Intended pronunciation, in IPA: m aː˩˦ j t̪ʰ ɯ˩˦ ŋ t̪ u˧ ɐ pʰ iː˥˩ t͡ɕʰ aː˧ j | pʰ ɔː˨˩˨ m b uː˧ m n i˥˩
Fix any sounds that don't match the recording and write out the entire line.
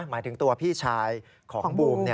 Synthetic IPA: m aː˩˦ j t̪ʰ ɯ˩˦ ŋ t̪ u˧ ɐ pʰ iː˥˩ t͡ɕʰ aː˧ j | kʰ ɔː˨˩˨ ŋ b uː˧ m n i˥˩